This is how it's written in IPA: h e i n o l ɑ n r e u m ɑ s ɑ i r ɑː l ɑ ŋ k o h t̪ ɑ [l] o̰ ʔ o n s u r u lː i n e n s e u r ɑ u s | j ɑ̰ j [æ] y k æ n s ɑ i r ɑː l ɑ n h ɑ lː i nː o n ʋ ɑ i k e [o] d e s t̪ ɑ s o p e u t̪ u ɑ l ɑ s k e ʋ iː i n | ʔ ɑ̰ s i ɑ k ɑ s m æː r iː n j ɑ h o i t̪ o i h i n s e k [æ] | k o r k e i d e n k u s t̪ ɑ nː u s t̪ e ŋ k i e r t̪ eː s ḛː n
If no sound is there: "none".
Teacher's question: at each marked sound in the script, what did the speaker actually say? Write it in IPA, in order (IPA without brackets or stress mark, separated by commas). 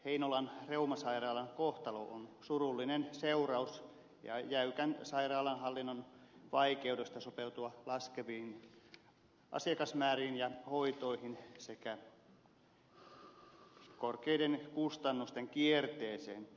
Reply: l, æ, u, æ